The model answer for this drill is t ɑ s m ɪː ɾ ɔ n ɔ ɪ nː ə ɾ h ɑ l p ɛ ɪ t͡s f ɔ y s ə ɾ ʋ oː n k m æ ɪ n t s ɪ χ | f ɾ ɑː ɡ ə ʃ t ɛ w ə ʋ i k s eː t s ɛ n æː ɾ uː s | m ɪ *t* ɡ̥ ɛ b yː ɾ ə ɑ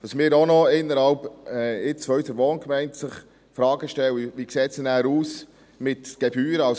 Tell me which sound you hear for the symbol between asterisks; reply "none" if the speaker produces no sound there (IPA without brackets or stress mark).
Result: t